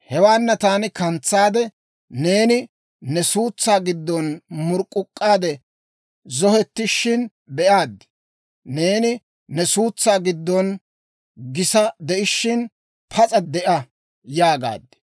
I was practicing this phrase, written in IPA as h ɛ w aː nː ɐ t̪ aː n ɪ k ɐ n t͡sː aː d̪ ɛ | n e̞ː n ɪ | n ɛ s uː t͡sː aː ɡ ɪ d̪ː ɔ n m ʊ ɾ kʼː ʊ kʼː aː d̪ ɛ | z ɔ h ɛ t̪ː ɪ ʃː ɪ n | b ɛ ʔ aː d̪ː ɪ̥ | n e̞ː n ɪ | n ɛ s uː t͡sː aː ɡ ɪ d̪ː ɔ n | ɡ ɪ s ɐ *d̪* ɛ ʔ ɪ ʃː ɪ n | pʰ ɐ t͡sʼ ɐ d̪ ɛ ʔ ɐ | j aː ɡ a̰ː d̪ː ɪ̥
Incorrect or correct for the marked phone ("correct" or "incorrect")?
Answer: correct